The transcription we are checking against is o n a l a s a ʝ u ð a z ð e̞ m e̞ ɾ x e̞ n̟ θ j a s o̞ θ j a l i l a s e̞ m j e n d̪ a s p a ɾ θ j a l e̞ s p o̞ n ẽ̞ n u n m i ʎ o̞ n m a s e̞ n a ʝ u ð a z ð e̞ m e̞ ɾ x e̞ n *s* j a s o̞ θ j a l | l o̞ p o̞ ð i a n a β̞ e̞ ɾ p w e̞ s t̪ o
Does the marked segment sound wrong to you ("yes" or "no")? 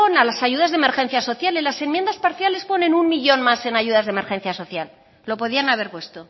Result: yes